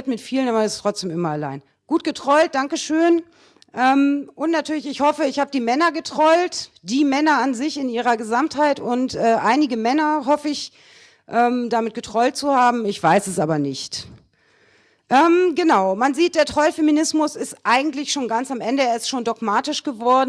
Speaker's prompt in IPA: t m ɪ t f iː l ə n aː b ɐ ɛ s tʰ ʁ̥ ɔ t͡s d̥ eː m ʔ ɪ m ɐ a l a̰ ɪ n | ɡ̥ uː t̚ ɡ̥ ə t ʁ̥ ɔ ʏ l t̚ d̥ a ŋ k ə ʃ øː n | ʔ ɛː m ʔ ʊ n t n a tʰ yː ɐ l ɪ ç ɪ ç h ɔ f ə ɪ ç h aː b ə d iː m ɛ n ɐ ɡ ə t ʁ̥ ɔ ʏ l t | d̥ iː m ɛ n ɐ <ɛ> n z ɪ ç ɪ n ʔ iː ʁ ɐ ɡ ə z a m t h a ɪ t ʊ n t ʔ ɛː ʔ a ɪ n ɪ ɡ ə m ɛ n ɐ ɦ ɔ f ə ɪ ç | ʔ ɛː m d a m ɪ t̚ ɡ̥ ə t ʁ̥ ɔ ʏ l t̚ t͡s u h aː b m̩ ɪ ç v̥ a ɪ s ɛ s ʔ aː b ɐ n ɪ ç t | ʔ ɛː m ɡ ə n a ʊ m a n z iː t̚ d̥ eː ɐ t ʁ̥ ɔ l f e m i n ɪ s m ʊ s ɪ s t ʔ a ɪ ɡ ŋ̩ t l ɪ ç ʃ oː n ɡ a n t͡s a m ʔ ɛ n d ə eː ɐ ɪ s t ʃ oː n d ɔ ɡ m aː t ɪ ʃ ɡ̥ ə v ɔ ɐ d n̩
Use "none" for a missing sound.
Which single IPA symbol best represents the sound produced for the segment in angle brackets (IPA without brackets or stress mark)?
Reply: a